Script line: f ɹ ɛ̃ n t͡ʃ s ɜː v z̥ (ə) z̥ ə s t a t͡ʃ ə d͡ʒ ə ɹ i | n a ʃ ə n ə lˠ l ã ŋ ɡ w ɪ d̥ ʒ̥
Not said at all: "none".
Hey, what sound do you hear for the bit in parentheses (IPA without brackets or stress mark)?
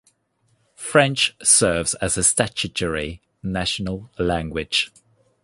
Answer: ə